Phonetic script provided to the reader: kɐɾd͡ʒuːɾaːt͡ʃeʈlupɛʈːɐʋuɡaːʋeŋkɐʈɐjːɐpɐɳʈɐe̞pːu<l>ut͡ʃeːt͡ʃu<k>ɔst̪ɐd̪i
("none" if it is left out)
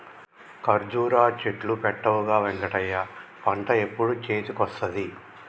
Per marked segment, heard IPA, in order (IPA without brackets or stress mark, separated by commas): ɽ, k